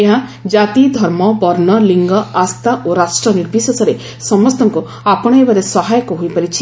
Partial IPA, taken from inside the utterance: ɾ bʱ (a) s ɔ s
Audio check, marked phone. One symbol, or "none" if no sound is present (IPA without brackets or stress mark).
i